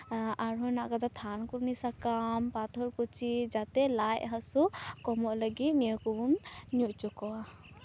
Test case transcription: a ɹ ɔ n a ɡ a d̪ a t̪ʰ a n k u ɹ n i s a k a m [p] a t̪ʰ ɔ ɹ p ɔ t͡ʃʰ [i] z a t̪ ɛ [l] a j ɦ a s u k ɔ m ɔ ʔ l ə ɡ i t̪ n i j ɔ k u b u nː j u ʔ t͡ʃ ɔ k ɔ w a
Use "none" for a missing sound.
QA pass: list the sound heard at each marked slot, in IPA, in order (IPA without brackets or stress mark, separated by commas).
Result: p, i, l